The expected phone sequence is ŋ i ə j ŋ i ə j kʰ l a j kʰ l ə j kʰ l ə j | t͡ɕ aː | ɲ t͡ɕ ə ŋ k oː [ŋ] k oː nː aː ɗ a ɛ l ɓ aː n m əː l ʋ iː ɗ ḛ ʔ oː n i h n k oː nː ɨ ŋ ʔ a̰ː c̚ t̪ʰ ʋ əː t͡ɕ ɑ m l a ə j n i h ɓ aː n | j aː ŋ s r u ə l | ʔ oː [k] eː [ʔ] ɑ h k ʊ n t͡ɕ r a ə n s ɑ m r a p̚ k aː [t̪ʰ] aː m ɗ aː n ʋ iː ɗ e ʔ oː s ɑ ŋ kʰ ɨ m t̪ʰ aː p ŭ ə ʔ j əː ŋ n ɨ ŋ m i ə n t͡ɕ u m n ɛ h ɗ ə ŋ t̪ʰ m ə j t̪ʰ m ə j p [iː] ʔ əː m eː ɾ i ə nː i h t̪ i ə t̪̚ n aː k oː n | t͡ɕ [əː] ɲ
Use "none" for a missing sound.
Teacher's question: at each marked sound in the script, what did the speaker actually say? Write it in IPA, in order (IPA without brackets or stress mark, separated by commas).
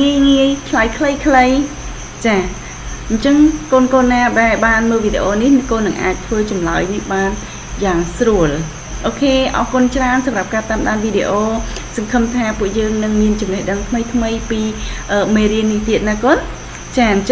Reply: n, kʰ, ʔ, t̪, iː, aː